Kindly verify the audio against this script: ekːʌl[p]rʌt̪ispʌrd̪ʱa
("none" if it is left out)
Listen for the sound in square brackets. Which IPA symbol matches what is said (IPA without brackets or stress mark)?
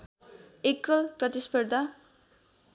p